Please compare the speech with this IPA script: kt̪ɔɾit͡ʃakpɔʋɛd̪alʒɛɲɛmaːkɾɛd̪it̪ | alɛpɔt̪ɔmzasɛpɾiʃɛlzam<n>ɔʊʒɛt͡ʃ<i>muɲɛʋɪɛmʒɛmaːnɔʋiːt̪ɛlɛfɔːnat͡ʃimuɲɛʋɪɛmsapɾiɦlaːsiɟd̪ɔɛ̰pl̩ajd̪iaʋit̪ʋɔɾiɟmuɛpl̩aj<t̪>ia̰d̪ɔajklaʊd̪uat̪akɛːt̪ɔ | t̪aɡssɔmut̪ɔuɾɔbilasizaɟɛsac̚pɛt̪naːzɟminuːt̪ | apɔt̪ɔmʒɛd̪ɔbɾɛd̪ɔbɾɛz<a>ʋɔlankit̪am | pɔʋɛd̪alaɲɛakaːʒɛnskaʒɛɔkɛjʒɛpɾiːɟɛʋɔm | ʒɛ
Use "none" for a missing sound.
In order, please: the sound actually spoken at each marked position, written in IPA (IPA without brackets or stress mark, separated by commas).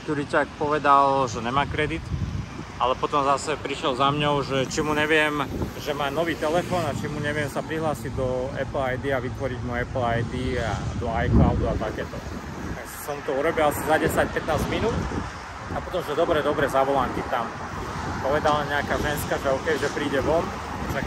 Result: ɲ, i, d̪, a